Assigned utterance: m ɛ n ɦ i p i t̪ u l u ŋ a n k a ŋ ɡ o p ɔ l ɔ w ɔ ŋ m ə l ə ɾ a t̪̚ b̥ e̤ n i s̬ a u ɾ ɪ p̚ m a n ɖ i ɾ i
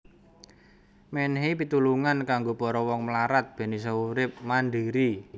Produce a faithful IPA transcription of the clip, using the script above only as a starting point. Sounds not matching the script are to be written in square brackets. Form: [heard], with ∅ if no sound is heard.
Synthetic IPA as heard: m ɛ n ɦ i p i t̪ u l u ŋ a n k a ŋ ɡ o p ɔ [ɾ] ɔ w ɔ ŋ m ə l [a] ɾ a t̪̚ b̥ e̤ n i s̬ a u ɾ ɪ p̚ m a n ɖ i ɾ i

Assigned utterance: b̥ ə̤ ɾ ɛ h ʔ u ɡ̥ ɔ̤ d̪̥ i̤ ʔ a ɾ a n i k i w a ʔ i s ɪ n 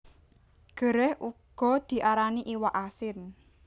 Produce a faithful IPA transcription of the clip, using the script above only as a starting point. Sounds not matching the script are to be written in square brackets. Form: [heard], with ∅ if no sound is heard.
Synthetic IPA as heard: [ɡ̥] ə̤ ɾ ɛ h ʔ u ɡ̥ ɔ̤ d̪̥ i̤ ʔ a ɾ a n i [ʔ] i w a ʔ [a] s ɪ n

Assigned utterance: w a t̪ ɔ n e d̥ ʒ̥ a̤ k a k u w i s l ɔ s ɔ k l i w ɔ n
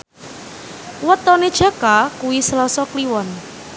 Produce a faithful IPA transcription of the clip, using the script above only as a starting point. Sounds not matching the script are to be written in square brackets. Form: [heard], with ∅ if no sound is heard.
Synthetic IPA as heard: w [ə] t̪ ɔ n e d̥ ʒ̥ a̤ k a k u w i s l ɔ s ɔ k l i w ɔ n

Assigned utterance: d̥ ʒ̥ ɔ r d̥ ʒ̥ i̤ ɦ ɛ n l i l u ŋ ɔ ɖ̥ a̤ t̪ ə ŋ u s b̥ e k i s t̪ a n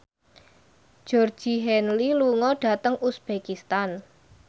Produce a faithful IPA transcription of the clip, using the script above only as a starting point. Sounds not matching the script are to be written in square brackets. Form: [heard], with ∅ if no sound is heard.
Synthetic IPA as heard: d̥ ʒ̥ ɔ r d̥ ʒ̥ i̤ ɦ ɛ n l i l u ŋ ɔ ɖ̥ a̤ t̪ ə ŋ u s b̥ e k i s t̪ a n

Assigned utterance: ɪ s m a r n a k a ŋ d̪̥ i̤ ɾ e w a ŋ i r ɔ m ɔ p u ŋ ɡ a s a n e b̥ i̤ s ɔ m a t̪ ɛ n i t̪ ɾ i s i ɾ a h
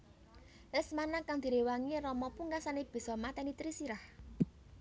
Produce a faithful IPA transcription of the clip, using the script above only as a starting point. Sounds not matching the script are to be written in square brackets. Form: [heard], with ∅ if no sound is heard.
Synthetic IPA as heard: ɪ s m a [∅] n a k a ŋ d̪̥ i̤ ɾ e w a ŋ i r ɔ m ɔ p u ŋ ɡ a s a n e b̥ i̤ s ɔ m a t̪ ɛ n i t̪ ɾ i s i ɾ a h

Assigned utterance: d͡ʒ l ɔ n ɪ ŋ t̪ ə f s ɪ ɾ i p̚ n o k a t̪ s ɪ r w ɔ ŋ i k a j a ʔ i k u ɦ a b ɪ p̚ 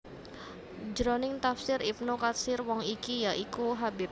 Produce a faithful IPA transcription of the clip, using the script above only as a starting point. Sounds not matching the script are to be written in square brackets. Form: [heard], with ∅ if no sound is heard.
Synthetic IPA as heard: d͡ʒ [ɾ] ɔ n ɪ ŋ t̪ [a] f s ɪ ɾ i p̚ n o k a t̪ s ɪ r w ɔ ŋ i k [i] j a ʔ i k u ɦ a b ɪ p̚

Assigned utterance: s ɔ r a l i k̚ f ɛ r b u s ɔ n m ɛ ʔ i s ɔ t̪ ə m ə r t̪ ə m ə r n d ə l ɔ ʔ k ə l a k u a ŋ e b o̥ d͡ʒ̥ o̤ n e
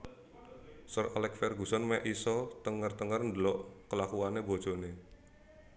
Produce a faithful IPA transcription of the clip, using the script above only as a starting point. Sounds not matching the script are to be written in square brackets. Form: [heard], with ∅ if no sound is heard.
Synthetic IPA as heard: s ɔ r a l [ɛ] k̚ f ɛ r [ɡ] u s ɔ n m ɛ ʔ i s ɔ t̪ ə [ŋ] ə r t̪ ə [ŋ] ə r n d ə l ɔ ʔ k ə l a k u a [n] e b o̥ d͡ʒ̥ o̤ n e

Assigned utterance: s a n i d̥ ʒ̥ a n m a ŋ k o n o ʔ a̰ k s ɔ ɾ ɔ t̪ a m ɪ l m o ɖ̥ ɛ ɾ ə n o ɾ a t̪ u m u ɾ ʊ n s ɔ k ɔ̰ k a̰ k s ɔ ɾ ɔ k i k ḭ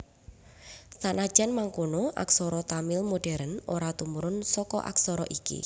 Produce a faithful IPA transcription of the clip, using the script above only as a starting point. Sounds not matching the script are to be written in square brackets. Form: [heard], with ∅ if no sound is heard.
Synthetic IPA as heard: s a n [a] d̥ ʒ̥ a n m a ŋ k o n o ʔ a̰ k s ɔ ɾ ɔ t̪ a m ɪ l m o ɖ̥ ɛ ɾ ə n o ɾ a t̪ u m u ɾ ʊ n s ɔ k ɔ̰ [ʔ] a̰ k s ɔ ɾ ɔ [ʔ] i k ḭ

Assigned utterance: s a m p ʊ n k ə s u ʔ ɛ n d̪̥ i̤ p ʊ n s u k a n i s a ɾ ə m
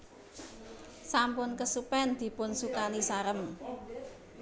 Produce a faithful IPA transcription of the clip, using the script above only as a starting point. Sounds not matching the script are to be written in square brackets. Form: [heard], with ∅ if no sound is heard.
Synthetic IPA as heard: s a m p ʊ n k ə s u [p] ɛ n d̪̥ i̤ p ʊ n s u k a n i s a ɾ ə m

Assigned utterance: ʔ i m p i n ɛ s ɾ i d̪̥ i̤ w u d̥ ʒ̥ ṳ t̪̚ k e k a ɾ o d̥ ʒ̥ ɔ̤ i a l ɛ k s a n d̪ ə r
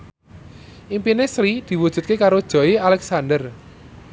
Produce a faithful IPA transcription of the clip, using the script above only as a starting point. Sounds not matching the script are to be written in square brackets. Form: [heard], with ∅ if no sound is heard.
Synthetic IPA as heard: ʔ i m p i n [e] s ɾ i d̪̥ i̤ w u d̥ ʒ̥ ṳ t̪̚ k e k a ɾ o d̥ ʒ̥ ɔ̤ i a l ɛ k s a n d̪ ə r

